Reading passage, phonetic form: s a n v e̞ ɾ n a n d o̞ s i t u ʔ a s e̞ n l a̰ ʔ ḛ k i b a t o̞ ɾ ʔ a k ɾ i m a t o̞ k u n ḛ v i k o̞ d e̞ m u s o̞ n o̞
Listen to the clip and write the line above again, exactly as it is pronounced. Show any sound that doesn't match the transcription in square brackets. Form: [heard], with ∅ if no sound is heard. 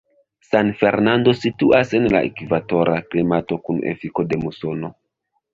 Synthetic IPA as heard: s a n [f] e̞ ɾ n a n d o̞ s i t u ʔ a s e̞ n l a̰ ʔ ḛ k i [v] a t o̞ ɾ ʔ a k [l] i m a t o̞ k u n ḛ [f] i k o̞ d e̞ m u s o̞ n o̞